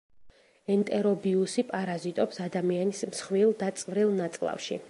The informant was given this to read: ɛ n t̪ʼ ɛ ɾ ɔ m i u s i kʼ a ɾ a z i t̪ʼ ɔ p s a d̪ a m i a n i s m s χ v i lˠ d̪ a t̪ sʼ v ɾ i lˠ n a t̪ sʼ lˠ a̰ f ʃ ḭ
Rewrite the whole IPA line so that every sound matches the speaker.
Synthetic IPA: ɛ n t̪ʼ ɛ ɾ ɔ b i u s i pʼ a ɾ a z i t̪ʼ ɔ p s a d̪ a m i a n i s m s χ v i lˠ d̪ a t̪ sʼ v ɾ i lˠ n a t̪ sʼ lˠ a̰ f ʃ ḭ